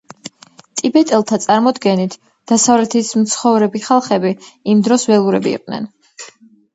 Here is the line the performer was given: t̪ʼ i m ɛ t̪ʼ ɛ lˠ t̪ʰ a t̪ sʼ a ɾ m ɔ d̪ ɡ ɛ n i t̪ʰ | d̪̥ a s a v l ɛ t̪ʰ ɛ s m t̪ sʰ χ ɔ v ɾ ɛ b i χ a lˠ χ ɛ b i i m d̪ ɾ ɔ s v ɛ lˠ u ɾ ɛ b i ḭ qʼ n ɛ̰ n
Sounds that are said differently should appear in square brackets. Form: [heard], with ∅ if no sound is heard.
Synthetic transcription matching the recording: t̪ʼ i [b] ɛ t̪ʼ ɛ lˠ t̪ʰ a t̪ sʼ a ɾ m ɔ d̪ ɡ ɛ n i t̪ʰ | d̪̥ a s a v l ɛ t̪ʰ [i] s m t̪ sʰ χ ɔ v ɾ ɛ b i χ a lˠ χ ɛ b i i m d̪ ɾ ɔ s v ɛ lˠ u ɾ ɛ b i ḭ qʼ n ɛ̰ n